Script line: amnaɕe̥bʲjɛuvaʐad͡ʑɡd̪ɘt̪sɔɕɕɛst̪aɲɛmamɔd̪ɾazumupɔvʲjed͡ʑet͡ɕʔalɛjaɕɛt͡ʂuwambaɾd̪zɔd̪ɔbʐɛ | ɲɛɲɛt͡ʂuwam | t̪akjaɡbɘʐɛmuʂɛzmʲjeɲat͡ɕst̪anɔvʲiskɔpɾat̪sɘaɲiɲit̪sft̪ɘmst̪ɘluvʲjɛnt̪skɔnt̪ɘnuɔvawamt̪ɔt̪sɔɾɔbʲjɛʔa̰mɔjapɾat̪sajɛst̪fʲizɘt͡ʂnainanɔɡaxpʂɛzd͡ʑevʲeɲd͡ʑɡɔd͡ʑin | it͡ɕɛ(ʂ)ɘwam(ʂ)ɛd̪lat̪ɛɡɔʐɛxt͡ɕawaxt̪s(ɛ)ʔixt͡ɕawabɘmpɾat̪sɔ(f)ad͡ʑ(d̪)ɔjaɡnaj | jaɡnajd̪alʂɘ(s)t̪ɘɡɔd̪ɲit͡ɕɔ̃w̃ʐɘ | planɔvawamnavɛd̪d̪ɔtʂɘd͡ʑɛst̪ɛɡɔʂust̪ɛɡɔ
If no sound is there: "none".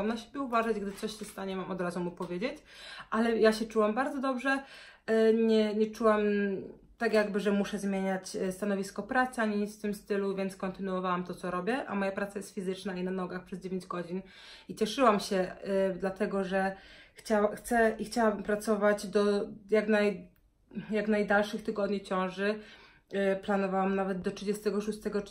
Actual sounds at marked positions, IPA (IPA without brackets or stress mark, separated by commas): ʂ, ɕ, ɛ, v, d̪, x